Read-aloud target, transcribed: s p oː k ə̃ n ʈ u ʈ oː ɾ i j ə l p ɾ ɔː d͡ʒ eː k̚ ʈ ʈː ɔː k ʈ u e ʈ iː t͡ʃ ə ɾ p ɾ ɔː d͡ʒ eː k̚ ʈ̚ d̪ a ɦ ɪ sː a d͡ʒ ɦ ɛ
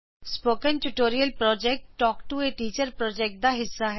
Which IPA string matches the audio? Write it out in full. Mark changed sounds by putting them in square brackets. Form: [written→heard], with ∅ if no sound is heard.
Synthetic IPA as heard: s p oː k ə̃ n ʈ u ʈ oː ɾ i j ə l p ɾ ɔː d͡ʒ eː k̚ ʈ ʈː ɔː k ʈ u e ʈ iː t͡ʃ ə ɾ p ɾ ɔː d͡ʒ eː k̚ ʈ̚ d̪ a ɦ ɪ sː a [d͡ʒ→∅] ɦ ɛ